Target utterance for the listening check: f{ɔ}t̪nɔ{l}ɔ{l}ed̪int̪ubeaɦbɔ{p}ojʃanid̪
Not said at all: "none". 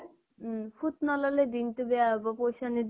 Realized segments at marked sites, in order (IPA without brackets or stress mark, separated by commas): u, l, l, p